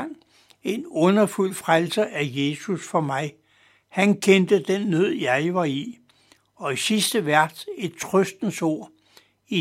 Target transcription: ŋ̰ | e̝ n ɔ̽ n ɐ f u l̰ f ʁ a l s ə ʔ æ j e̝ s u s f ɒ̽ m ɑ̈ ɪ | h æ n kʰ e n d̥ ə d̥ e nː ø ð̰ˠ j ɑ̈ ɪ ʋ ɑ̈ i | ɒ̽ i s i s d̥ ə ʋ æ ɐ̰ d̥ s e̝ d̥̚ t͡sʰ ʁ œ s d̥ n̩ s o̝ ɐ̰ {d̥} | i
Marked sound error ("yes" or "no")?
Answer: yes